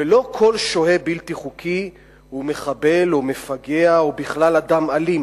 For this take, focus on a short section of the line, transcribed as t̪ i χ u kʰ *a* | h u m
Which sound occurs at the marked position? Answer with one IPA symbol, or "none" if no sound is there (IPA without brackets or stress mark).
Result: i